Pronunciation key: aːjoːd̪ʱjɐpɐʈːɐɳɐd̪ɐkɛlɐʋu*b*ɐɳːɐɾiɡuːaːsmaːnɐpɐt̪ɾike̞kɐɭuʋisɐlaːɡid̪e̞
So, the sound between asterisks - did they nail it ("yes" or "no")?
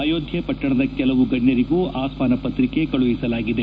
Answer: no